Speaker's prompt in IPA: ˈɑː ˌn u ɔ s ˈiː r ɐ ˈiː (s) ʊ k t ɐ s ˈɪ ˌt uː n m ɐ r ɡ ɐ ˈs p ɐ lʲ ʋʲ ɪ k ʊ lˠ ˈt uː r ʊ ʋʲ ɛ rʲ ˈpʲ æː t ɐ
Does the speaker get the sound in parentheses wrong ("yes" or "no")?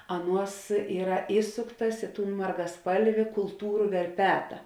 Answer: no